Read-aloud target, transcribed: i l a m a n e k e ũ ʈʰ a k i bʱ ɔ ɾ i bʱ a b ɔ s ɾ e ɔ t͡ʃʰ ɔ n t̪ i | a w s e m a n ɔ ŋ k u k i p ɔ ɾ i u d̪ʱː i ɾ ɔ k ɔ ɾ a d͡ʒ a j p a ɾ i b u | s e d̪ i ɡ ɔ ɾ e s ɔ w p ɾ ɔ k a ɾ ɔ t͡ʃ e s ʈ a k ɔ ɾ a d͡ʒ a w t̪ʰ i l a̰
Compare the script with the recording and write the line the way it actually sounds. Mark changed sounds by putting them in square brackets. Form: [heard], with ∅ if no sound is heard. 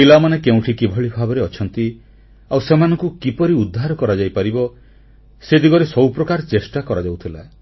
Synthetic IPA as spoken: i l a m a n e k e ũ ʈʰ [i] k i bʱ ɔ [ɭ] i bʱ a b ɔ [∅] ɾ e ɔ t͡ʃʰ ɔ n t̪ i | a w s e m a n ɔ ŋ k u k i p ɔ ɾ i u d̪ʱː [a] ɾ ɔ k ɔ ɾ a d͡ʒ a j p a ɾ i b [ɔ] | s e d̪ i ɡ ɔ ɾ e s ɔ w p ɾ ɔ k a ɾ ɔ t͡ʃ e s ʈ a k ɔ ɾ a d͡ʒ a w t̪ʰ i l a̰

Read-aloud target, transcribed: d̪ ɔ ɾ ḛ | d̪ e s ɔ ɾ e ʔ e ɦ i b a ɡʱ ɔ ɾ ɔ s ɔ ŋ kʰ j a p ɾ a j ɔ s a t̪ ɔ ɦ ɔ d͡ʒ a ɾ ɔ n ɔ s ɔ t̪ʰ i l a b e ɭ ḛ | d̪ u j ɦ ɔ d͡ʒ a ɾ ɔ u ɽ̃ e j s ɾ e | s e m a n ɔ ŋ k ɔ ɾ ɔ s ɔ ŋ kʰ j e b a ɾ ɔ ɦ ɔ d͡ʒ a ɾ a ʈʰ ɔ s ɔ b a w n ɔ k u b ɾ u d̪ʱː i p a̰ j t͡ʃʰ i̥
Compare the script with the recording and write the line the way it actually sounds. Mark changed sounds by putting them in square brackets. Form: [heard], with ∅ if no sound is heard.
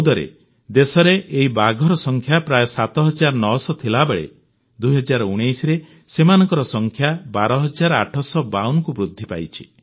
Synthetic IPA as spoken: d̪ ɔ ɾ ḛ | d̪ e s ɔ ɾ e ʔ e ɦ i b a ɡʱ ɔ ɾ ɔ s ɔ ŋ kʰ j a p ɾ a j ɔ s a t̪ ɔ ɦ ɔ d͡ʒ a ɾ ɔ n ɔ s ɔ t̪ʰ i l a b e ɭ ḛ | d̪ u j ɦ ɔ d͡ʒ a ɾ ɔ u ɽ̃ e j s ɾ e | s e m a n ɔ ŋ k ɔ ɾ ɔ s ɔ ŋ kʰ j [a] b a ɾ ɔ ɦ ɔ d͡ʒ a ɾ a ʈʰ ɔ s ɔ b a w n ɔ k u b ɾ u d̪ʱː i p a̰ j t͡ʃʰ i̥

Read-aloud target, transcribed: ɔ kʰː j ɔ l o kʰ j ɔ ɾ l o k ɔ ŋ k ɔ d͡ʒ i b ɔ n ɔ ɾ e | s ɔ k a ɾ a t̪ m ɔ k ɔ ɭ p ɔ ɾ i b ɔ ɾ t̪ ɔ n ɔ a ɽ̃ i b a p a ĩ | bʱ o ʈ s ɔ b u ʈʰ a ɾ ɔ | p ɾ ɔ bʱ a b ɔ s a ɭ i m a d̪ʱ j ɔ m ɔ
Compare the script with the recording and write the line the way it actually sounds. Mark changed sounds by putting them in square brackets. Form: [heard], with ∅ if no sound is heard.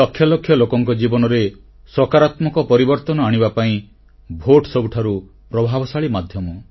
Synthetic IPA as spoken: ɔ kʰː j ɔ l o kʰ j ɔ [∅] l o k ɔ ŋ k ɔ d͡ʒ i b ɔ n ɔ ɾ e | s ɔ k a ɾ a t̪ m ɔ k ɔ [∅] p ɔ ɾ i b ɔ ɾ t̪ ɔ n ɔ a ɽ̃ i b a p a ĩ | bʱ o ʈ s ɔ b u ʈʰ a ɾ [u] | p ɾ ɔ bʱ a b ɔ s a ɭ i m a d̪ʱ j ɔ m ɔ

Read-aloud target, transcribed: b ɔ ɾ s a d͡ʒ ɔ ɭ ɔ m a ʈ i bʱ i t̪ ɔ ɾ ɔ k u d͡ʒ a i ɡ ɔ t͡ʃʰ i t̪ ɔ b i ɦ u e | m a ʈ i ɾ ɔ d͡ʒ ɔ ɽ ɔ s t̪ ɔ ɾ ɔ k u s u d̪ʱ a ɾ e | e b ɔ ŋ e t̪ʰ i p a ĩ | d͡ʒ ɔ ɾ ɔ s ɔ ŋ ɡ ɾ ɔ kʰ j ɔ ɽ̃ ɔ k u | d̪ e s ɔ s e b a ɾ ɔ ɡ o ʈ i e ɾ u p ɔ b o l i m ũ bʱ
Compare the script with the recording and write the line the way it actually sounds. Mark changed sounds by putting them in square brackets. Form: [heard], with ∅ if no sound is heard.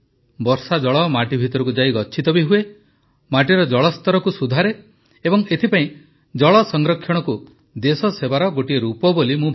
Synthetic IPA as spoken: b ɔ ɾ s a d͡ʒ ɔ ɭ ɔ m a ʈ i bʱ i t̪ ɔ ɾ ɔ k u d͡ʒ a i ɡ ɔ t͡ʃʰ i t̪ ɔ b i ɦ u e | m a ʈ i ɾ ɔ d͡ʒ ɔ [ɭ] ɔ s t̪ ɔ ɾ ɔ k u s u d̪ʱ a ɾ e | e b ɔ ŋ e t̪ʰ i p a ĩ | d͡ʒ ɔ [ɭ] ɔ s ɔ ŋ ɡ ɾ ɔ kʰ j ɔ ɽ̃ ɔ k u | d̪ e s ɔ s e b a ɾ ɔ ɡ o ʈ i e ɾ u p ɔ b o l i m ũ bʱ

